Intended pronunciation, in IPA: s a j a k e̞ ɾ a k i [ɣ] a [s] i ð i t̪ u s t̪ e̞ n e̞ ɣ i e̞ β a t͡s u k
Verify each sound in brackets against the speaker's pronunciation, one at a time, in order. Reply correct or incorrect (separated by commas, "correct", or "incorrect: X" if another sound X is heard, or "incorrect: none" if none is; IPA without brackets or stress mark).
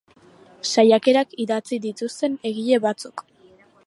incorrect: ð, incorrect: t͡s